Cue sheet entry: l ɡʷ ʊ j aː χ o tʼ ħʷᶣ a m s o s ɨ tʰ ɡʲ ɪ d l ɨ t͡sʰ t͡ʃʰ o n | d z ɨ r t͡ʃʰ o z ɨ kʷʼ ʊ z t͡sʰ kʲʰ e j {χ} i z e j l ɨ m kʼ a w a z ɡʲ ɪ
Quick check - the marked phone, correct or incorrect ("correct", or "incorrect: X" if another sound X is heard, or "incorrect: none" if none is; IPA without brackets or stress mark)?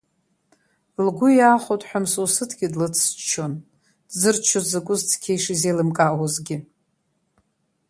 incorrect: ʂ